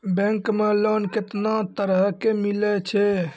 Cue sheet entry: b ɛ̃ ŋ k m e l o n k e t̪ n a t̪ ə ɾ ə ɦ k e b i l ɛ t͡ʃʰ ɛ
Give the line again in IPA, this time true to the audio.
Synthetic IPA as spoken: b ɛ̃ ŋ k m e l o n k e t̪ n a t̪ ə ɾ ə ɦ k e m i l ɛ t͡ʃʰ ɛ

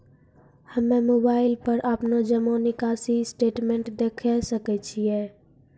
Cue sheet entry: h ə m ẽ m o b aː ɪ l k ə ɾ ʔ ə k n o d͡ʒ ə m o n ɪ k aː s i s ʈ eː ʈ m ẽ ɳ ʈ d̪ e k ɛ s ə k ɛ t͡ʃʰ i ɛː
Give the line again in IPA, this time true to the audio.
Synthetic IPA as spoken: h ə m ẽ m o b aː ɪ l p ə ɾ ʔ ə p n o d͡ʒ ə m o n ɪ k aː s i s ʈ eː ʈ m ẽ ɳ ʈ d̪ e kʰ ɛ s ə k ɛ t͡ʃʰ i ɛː

